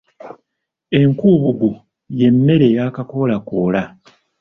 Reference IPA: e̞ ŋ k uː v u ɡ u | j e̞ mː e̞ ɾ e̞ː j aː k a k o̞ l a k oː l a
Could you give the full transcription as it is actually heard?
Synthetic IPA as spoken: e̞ ŋ k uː β u ɡ u | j e̞ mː e̞ ɾ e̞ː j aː k a k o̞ l a k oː l a

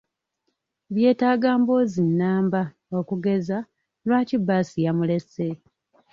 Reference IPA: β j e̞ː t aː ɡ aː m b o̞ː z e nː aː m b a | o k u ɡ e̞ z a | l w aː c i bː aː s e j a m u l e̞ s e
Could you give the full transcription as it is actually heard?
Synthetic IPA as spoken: β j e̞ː t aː ɡ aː m b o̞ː z i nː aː m b a | o k u ɡ e̞ z a | l w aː c i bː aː s i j a m u l e̞ s e

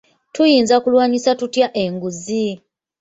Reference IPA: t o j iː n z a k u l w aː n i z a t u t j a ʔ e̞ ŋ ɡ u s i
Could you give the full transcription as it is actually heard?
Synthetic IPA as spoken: t u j iː n z a k u l w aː ɲ i s a t u t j a ʔ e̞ ŋ ɡ u z i

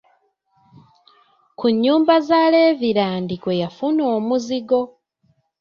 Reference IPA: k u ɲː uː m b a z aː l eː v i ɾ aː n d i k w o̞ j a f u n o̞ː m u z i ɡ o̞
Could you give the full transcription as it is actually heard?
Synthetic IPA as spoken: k u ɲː uː m b a z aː l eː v i ɾ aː n d i k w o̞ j a f u n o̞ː m u z i ɡ o̞

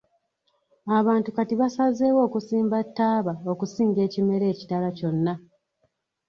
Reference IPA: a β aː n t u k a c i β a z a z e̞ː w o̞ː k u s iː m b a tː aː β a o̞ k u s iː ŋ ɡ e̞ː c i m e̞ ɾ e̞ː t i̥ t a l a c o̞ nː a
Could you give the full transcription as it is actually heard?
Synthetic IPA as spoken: a β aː n t u k a t i β a s a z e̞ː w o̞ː k u s iː m b a tː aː β a o̞ k u s iː ŋ ɡ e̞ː c i m e̞ ɾ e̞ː c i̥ t a l a c o̞ nː a

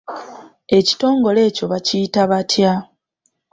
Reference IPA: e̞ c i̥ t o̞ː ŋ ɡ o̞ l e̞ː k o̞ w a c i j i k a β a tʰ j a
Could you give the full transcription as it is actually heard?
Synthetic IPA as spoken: e̞ c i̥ t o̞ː ŋ ɡ o̞ l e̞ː c o̞ β a c i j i t a β a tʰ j a

